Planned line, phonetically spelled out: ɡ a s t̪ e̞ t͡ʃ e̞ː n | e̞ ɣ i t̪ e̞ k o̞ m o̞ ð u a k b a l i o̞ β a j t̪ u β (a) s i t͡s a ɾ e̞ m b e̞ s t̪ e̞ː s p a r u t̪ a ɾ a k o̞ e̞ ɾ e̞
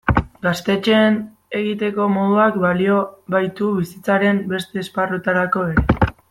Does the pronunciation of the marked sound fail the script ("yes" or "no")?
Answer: yes